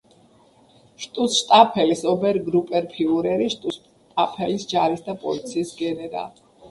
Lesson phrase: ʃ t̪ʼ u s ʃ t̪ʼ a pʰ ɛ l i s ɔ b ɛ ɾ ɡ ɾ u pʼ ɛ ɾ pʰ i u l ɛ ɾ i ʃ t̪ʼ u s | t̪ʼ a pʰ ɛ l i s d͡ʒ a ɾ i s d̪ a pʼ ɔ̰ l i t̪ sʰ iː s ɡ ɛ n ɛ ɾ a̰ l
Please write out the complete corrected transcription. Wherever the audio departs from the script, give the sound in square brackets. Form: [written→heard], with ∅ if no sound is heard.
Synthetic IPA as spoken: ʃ t̪ʼ u s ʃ t̪ʼ a pʰ ɛ l i s ɔ b ɛ ɾ ɡ ɾ u pʼ ɛ ɾ pʰ i u [l→ɾ] ɛ ɾ i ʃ t̪ʼ u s | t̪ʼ a pʰ ɛ l i s d͡ʒ a ɾ i s d̪ a pʼ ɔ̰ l i t̪ sʰ iː s ɡ ɛ n ɛ ɾ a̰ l